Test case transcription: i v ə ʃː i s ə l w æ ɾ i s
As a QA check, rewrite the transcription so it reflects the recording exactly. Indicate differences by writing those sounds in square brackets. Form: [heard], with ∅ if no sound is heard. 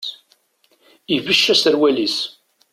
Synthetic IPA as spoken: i v ə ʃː [æ] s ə [ɾ] w æ [l] i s